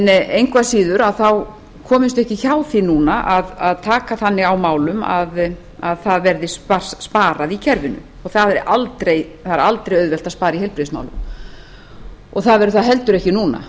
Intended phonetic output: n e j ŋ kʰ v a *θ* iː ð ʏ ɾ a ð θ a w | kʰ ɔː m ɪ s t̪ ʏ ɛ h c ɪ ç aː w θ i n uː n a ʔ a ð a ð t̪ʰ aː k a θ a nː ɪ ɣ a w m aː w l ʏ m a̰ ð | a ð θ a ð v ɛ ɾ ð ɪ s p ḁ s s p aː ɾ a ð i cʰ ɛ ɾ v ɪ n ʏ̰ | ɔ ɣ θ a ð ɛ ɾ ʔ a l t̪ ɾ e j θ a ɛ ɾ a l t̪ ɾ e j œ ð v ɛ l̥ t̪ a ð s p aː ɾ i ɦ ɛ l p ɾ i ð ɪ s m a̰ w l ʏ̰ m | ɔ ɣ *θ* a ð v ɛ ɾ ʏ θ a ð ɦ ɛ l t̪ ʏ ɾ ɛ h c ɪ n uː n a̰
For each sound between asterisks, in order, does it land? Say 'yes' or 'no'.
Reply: no, yes

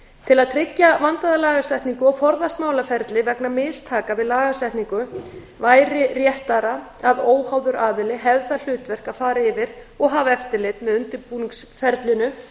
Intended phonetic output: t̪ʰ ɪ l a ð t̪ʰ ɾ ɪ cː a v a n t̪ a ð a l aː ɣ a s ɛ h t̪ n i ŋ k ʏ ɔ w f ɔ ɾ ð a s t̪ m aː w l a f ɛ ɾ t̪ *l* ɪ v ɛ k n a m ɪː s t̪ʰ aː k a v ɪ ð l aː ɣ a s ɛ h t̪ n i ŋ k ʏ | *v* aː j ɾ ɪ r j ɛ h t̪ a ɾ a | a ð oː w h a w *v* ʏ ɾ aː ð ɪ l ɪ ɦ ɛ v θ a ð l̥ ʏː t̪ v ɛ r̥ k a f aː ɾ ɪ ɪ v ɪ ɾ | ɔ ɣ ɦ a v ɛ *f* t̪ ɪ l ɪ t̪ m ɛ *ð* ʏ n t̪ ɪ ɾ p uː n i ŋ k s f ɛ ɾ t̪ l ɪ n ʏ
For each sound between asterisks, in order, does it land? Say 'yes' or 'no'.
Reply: yes, yes, no, yes, yes

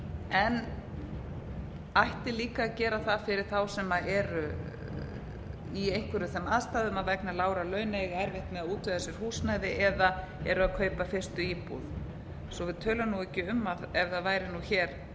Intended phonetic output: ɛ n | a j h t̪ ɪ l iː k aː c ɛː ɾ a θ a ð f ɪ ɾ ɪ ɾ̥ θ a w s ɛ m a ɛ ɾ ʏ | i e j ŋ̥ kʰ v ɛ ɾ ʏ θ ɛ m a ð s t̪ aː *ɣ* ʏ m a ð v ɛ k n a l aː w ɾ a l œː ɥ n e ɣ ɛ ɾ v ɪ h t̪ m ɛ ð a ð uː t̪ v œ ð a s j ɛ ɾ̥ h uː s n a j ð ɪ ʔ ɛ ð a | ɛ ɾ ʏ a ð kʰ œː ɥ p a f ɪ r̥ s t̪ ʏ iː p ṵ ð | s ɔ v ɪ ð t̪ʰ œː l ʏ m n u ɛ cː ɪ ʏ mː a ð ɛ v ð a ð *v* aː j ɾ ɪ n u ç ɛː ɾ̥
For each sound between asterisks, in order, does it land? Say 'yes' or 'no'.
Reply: no, yes

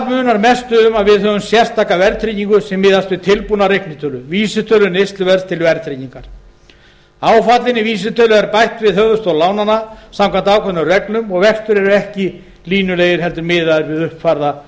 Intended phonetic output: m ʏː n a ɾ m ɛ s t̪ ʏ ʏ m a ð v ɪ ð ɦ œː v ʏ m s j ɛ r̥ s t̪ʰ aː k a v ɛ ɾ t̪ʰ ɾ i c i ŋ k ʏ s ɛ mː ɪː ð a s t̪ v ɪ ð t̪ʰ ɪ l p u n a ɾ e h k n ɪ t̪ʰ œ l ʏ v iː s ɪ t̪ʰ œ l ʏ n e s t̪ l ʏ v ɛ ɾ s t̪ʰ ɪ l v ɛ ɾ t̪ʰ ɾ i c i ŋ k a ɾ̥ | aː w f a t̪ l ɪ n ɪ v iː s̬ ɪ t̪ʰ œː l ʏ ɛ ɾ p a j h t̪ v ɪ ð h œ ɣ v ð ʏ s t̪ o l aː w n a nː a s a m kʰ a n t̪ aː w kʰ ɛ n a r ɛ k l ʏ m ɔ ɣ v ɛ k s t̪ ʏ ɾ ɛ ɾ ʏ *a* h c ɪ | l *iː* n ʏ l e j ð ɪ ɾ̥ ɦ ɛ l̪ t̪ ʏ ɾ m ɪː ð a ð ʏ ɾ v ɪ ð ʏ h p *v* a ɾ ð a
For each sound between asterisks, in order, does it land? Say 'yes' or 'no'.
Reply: no, yes, no

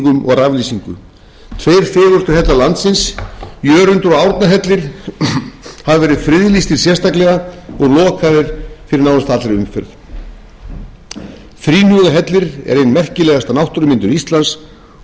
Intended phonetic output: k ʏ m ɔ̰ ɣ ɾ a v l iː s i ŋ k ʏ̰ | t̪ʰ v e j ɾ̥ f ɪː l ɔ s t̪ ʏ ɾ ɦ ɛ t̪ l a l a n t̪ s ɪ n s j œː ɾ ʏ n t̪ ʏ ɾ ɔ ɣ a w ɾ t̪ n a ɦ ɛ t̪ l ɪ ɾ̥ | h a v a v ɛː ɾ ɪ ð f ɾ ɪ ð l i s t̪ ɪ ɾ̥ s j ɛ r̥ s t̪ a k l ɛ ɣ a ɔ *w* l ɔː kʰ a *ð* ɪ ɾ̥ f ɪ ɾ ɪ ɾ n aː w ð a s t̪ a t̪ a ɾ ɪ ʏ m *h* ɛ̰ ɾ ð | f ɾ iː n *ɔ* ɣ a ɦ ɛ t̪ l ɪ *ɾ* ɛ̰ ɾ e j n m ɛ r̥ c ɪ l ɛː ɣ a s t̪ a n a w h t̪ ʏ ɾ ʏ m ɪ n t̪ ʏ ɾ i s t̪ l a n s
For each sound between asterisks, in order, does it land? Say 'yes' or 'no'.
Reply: no, yes, no, no, yes

